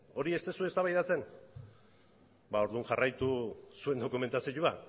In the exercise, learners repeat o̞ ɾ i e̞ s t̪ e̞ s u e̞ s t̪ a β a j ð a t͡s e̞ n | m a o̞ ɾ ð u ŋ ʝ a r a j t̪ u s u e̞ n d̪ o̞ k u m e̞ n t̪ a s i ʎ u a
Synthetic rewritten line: o̞ ɾ i e̞ s t̪ e̞ s u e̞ s t̪ a β a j ð a t͡s e̞ n | b a o̞ ɾ ð u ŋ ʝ a r a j t̪ u s u e̞ n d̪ o̞ k u m e̞ n t̪ a s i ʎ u a